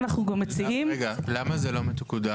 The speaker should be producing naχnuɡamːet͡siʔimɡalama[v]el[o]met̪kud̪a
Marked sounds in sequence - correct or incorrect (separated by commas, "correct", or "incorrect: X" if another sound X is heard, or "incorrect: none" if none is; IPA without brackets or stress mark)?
incorrect: z, correct